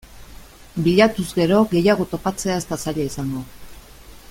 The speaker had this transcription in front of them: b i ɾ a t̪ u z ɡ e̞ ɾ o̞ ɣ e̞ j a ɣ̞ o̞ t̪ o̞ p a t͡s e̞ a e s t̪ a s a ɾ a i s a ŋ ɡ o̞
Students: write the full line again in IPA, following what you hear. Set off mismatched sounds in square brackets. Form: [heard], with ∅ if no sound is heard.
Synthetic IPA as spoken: b i [ʎ] a t̪ u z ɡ e̞ ɾ o̞ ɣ e̞ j a ɣ̞ o̞ t̪ o̞ p a t͡s e̞ a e s t̪ a s a [ʎ] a i s a ŋ ɡ o̞